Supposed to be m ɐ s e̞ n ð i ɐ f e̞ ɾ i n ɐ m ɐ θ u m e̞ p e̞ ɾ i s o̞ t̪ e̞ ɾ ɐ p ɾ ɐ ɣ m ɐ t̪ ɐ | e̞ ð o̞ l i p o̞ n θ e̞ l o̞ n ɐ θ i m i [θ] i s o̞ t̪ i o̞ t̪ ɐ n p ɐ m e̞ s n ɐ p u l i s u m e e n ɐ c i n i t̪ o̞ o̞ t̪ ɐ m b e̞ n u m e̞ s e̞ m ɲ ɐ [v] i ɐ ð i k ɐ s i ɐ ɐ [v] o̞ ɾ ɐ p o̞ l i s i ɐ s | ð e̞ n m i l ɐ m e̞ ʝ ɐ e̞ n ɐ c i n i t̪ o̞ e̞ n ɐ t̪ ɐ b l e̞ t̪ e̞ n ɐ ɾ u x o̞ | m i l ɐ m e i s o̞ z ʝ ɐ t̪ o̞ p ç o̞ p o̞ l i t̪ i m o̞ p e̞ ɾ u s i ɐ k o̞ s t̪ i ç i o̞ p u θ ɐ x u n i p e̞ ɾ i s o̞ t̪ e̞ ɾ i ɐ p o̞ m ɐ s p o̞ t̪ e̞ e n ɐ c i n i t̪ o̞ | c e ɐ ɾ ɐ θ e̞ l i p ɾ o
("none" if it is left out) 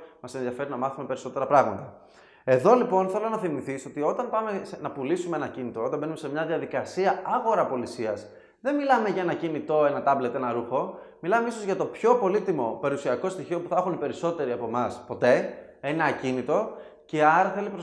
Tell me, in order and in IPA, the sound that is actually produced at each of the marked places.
θ, ð, ɣ

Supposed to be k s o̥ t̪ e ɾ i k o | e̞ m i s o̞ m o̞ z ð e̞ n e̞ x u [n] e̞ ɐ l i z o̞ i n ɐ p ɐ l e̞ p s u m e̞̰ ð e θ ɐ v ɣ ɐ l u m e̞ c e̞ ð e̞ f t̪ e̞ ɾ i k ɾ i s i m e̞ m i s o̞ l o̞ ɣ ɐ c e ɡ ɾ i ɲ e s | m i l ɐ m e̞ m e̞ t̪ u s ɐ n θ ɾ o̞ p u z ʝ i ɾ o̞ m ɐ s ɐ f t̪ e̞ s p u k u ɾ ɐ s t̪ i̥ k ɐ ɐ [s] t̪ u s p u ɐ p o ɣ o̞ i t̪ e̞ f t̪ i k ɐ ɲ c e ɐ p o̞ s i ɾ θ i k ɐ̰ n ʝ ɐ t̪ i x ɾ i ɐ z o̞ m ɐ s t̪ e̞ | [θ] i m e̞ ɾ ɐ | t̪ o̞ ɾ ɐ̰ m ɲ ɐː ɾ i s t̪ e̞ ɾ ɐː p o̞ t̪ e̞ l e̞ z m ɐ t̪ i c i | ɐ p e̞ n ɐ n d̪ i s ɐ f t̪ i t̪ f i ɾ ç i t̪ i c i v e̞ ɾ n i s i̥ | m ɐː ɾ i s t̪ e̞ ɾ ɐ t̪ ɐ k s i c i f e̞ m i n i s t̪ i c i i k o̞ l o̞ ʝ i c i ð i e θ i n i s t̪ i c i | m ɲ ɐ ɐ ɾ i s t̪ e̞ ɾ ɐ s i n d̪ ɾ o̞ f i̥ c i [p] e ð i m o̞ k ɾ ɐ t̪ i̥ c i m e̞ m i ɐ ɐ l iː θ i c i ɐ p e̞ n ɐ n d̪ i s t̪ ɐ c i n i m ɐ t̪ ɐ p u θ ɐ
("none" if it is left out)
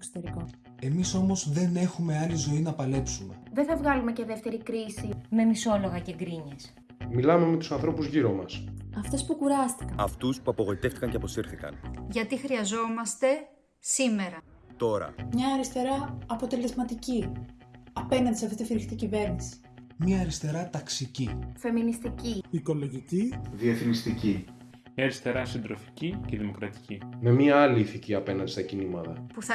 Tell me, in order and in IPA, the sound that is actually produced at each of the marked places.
m, f, s, c

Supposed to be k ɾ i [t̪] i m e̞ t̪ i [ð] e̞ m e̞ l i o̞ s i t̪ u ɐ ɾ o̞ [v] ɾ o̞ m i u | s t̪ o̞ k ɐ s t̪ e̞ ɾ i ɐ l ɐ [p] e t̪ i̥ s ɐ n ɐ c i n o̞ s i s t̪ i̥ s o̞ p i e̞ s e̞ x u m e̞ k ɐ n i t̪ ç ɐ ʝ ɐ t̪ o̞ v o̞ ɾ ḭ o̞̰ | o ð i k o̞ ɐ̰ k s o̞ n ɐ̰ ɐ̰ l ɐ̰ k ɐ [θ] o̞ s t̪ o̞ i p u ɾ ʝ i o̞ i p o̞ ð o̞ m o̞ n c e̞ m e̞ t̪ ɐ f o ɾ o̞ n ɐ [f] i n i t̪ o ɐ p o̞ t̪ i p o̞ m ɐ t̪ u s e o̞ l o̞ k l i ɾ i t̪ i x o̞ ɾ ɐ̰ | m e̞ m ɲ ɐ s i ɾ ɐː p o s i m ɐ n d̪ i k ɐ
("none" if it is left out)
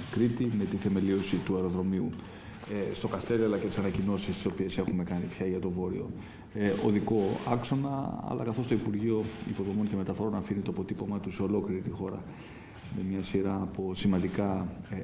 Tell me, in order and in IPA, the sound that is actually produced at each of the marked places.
t̪, θ, ð, c, θ, f

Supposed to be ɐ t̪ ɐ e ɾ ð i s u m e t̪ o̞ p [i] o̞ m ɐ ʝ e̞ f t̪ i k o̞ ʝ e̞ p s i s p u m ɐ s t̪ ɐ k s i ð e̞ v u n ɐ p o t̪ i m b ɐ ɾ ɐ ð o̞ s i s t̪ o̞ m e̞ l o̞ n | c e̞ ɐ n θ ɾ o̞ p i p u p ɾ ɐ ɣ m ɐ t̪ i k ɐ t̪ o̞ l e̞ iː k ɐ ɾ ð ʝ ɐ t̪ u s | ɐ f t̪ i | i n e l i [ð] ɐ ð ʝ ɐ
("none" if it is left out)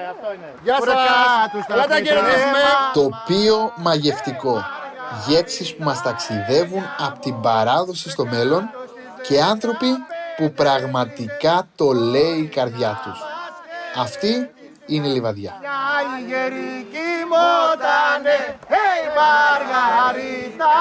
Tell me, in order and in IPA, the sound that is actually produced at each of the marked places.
i, v

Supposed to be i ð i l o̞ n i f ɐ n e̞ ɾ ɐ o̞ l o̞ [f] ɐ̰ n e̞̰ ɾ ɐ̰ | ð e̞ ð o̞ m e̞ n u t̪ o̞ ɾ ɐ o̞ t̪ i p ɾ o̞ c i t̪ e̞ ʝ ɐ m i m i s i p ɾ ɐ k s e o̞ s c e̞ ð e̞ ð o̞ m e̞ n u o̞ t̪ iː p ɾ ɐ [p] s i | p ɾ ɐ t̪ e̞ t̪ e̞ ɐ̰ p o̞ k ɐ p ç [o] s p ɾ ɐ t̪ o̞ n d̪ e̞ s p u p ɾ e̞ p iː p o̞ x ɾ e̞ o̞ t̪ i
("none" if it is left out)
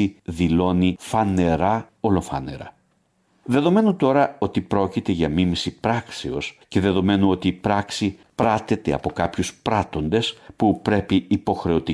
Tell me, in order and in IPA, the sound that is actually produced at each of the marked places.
f, k, u

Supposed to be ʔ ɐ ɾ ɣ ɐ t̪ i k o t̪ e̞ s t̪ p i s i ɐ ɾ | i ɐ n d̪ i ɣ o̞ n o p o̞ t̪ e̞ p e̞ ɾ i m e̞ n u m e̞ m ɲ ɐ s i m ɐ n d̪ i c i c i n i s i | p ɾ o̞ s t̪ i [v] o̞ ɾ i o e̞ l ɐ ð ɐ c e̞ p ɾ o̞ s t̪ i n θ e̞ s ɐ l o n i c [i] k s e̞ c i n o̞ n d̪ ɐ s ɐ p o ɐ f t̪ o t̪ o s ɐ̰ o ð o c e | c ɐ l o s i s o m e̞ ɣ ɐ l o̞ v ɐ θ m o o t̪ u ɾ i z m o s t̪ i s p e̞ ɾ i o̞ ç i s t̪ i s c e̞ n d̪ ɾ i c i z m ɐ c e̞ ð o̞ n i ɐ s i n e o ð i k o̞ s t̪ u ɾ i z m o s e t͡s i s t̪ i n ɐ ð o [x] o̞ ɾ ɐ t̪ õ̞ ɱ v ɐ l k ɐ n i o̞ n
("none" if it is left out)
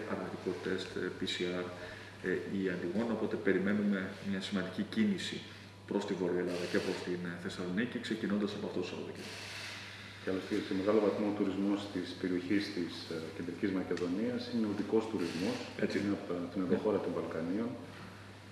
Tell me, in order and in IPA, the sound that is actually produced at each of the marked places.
v, i, x

